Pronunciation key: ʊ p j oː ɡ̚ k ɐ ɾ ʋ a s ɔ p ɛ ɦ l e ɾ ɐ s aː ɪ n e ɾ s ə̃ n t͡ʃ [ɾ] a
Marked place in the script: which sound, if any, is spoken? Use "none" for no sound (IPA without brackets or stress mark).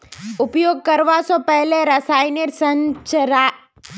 ɾ